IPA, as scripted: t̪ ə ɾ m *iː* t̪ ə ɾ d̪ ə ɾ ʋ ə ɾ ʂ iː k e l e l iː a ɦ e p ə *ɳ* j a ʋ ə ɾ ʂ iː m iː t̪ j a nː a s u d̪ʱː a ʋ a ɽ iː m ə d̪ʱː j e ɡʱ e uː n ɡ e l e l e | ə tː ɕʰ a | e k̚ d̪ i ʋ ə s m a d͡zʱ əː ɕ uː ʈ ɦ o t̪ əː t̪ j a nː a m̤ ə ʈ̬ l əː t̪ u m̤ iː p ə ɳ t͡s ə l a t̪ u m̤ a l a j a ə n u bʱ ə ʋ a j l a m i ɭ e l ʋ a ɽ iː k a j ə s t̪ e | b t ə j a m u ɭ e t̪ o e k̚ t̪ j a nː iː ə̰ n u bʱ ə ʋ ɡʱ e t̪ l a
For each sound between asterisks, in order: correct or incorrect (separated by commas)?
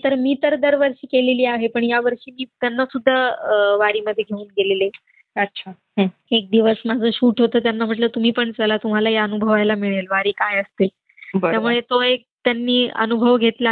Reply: correct, correct